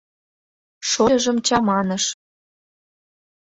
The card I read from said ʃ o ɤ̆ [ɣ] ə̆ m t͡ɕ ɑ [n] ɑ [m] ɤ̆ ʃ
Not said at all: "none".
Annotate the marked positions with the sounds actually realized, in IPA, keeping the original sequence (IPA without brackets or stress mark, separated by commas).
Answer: ʒ, m, n